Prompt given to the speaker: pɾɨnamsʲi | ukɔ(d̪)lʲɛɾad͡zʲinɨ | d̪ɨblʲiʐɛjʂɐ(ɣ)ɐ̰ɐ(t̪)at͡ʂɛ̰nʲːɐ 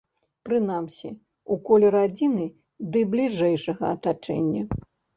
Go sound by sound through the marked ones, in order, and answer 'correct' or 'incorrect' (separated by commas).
incorrect, correct, correct